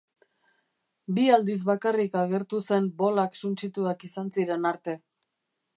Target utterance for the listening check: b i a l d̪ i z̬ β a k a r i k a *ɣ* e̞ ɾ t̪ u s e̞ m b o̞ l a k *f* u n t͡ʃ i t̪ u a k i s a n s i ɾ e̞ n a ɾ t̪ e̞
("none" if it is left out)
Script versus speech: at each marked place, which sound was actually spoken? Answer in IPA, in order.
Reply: ɣ, s

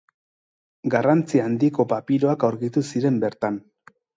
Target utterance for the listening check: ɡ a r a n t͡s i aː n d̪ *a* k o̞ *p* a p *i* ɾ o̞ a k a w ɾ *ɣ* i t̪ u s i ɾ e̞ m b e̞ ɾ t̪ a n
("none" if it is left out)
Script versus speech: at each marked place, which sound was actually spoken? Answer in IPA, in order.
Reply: i, p, i, ɣ

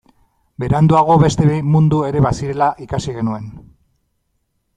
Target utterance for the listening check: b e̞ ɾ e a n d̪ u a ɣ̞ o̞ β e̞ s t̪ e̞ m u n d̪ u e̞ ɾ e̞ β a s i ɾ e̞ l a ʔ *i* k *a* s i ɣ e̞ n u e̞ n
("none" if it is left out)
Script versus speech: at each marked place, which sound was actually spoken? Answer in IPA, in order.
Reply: i, a

